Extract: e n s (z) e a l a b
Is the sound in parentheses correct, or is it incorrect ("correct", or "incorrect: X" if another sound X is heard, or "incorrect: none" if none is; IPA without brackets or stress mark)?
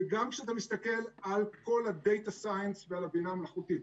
incorrect: v